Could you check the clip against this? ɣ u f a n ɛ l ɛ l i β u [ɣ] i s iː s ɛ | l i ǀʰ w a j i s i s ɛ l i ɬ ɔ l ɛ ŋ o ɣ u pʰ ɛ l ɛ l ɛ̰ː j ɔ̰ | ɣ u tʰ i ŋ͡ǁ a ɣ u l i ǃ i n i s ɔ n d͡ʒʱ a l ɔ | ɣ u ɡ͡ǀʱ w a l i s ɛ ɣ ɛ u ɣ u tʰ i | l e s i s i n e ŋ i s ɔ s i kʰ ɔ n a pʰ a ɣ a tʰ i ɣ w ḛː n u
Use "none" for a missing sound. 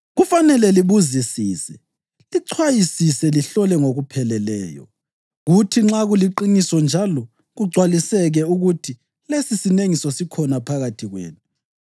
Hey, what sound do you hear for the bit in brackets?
z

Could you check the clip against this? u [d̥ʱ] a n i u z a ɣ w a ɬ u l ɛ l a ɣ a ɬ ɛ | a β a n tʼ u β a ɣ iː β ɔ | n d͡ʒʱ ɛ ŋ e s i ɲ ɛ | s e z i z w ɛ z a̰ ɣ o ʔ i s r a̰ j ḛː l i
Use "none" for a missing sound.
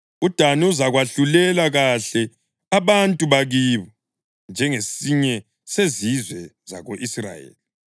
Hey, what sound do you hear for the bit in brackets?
d̥ʱ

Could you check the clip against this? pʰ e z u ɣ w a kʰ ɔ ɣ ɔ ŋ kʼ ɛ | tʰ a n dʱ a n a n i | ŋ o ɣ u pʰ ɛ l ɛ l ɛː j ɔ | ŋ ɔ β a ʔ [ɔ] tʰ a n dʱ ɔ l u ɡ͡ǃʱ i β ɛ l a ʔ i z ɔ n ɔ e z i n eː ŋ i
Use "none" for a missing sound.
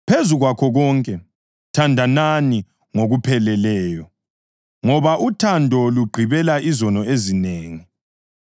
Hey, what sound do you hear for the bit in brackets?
u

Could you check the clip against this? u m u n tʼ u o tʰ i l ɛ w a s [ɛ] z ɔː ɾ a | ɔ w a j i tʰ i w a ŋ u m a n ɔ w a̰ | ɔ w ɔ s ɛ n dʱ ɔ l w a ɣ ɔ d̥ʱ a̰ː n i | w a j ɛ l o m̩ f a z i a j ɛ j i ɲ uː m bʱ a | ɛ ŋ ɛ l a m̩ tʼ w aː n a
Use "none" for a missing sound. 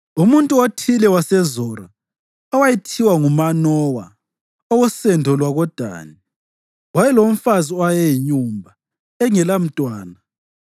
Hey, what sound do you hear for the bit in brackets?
ɛ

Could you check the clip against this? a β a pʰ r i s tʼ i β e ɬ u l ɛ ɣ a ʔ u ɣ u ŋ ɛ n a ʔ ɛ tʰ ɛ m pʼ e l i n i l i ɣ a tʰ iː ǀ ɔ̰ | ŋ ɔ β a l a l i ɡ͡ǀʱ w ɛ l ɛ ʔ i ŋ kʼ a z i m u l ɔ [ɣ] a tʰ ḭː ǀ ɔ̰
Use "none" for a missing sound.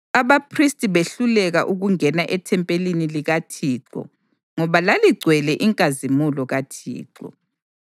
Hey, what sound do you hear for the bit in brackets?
ɣ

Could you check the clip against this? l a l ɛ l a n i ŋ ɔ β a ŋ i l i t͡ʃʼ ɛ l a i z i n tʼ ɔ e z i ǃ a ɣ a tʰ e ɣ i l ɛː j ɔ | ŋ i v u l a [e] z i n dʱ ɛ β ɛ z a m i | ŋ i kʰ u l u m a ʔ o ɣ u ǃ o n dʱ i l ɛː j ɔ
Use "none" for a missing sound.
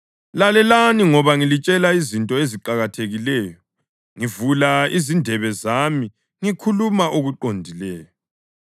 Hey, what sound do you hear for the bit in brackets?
i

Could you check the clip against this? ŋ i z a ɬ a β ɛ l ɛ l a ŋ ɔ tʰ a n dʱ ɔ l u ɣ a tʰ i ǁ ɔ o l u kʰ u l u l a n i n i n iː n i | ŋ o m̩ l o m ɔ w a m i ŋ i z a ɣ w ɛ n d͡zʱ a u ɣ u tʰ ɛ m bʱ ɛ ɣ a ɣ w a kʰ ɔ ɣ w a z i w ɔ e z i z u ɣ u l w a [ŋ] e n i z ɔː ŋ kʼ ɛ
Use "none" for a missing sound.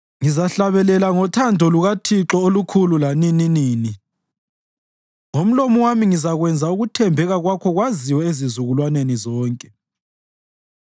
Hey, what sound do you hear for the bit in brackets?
n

